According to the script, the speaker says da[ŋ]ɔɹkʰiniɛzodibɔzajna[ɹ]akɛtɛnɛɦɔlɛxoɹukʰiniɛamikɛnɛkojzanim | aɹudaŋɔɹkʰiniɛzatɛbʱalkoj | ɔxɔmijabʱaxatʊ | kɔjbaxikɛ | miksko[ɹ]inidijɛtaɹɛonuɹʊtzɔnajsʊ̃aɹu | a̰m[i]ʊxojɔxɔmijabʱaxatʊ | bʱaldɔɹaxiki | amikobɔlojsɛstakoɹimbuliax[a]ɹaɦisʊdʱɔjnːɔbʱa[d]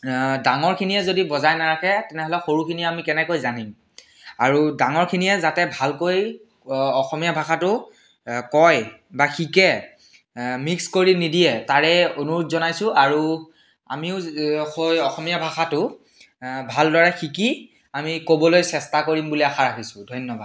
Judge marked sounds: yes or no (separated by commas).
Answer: yes, yes, yes, yes, yes, yes